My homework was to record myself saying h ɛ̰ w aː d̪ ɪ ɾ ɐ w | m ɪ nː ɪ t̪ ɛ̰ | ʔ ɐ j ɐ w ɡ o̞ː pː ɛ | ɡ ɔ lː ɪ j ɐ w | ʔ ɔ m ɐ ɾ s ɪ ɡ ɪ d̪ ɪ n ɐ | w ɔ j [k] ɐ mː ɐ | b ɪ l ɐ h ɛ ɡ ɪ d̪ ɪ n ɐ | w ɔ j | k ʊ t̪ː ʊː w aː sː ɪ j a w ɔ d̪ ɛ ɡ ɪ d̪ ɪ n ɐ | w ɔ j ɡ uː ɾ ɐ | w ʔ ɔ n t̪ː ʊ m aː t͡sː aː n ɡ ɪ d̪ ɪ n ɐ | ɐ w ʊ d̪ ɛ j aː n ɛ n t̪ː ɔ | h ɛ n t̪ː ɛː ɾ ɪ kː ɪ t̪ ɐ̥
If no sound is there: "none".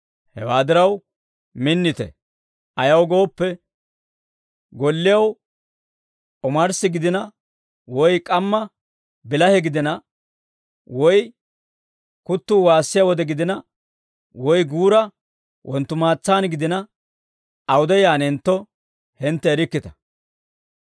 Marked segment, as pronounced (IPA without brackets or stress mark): kʼ